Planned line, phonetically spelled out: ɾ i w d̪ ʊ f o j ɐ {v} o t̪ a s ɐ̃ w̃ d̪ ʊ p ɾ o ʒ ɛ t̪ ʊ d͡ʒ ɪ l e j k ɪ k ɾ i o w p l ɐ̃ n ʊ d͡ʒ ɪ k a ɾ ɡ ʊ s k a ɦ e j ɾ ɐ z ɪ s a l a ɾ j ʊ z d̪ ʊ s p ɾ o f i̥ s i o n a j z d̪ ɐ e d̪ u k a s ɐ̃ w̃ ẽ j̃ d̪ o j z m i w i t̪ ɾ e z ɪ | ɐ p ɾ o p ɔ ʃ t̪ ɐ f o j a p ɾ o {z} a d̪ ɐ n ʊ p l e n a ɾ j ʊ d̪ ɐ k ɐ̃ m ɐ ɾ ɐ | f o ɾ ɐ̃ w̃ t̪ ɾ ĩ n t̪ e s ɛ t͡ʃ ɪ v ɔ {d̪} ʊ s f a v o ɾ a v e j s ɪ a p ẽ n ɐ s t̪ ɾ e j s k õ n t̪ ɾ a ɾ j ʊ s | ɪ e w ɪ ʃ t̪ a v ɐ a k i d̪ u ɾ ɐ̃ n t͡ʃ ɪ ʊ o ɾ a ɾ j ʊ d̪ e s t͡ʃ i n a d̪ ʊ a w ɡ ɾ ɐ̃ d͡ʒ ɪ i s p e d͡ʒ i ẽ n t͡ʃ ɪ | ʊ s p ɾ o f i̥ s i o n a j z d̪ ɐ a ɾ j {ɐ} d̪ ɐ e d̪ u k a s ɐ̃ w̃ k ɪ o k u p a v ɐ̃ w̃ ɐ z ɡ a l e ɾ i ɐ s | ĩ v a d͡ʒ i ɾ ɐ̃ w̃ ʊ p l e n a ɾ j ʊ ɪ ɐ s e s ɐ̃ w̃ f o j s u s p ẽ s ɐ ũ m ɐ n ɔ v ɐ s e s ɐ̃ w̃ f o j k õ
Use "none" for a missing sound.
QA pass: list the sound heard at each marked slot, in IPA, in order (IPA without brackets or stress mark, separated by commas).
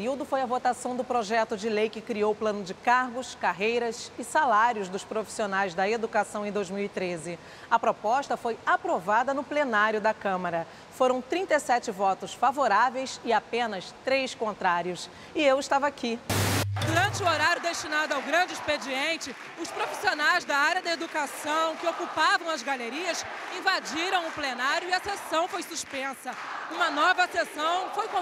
v, v, t̪, ɐ